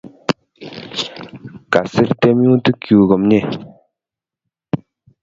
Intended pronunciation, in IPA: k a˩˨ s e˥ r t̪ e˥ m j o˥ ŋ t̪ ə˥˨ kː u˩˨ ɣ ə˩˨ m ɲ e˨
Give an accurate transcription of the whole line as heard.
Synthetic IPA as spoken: k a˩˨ s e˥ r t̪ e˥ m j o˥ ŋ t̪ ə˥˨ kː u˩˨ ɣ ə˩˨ m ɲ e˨